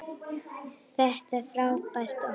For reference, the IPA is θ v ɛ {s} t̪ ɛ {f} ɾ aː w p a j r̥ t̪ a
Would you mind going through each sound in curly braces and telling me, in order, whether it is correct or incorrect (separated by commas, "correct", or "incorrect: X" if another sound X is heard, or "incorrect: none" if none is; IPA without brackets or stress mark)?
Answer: incorrect: h, correct